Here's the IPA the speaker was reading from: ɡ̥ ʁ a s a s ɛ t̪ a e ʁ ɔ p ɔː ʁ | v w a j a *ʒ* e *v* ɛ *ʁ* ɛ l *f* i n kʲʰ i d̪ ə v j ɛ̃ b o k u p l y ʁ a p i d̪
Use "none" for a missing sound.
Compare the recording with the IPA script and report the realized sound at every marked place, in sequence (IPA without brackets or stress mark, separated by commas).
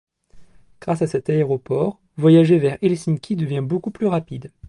ʒ, v, ʁ, s